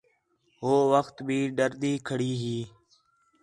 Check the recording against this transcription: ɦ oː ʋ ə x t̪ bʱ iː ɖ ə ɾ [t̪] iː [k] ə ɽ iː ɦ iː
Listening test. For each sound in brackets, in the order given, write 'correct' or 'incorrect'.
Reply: incorrect: d̪, incorrect: kʰ

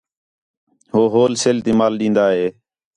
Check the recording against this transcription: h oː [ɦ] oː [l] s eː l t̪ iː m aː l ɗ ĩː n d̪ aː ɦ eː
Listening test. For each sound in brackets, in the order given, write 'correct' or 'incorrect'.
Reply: correct, correct

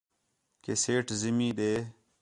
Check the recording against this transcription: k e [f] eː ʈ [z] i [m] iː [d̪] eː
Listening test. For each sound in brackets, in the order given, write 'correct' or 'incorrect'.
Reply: incorrect: s, correct, correct, correct

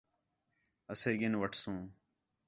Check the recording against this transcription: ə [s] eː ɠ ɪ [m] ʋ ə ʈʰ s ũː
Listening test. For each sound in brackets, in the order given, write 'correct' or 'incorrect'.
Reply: correct, incorrect: n

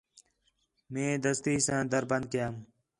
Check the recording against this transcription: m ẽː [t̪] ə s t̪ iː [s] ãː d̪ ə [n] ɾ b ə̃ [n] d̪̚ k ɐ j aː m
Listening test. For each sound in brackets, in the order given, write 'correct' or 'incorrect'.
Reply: incorrect: d̪, correct, incorrect: none, correct

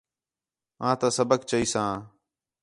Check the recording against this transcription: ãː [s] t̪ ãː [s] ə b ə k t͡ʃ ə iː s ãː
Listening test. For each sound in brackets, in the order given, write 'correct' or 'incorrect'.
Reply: incorrect: none, correct

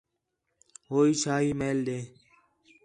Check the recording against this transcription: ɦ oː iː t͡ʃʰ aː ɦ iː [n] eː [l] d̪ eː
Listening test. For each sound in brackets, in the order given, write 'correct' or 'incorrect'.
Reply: incorrect: m, correct

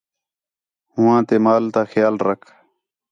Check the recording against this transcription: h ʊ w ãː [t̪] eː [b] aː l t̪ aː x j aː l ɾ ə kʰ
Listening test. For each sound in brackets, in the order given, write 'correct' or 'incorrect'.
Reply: correct, incorrect: m

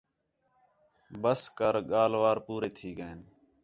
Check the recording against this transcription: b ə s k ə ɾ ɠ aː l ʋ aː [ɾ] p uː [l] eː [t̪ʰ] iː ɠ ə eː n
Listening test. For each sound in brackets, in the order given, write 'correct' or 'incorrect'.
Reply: correct, incorrect: ɾ, correct

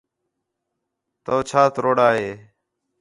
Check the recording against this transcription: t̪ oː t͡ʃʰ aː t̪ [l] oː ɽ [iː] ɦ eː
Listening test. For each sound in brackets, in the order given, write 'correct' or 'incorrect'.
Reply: incorrect: ɾ, incorrect: aː

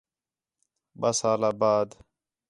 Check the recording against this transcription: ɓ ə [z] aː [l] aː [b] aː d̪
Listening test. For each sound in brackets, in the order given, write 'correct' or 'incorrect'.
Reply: incorrect: s, correct, correct

